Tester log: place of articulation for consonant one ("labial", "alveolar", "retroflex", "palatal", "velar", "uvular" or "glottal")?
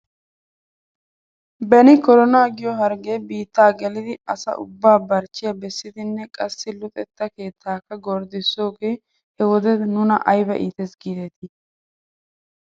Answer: labial